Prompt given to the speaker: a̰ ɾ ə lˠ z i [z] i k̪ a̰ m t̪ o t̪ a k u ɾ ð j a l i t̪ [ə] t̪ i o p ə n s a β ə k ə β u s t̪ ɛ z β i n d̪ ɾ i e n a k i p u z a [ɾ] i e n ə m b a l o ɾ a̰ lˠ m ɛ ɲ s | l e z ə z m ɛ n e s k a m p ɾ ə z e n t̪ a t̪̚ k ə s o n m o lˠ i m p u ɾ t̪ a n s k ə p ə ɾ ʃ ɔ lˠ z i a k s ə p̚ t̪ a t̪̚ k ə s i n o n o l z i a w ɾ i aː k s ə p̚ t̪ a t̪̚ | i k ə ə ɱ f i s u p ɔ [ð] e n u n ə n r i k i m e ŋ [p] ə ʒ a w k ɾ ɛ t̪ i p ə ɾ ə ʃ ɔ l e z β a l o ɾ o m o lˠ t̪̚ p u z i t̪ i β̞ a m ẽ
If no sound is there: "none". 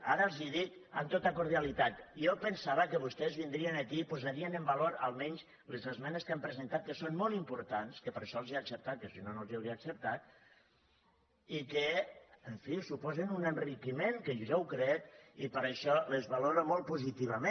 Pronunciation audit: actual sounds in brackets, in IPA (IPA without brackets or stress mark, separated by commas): ð, a, ɾ, z, k